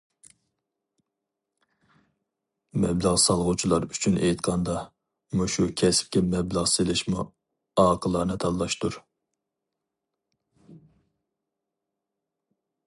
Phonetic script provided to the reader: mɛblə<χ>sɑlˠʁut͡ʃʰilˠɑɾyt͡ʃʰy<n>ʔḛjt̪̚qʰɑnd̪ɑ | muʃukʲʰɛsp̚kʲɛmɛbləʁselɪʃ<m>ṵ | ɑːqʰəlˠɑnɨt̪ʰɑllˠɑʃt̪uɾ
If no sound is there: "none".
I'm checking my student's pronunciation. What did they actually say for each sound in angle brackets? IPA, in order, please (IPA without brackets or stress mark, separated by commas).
ʁ, n, m